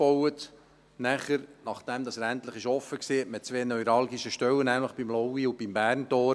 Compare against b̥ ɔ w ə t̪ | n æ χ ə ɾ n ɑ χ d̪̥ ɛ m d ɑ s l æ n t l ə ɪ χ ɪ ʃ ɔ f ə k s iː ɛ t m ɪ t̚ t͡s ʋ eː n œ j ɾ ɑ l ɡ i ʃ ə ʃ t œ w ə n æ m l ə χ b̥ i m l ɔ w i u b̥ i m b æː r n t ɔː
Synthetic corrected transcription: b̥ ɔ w ə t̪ | n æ χ ə ɾ n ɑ χ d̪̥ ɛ m d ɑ s ɾ æ n t l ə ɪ χ ɪ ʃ ɔ f ə k s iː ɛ t m ɪ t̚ t͡s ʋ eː n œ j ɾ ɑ l ɡ i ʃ ə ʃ t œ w ə n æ m l ə χ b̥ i m l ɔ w i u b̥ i m b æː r n t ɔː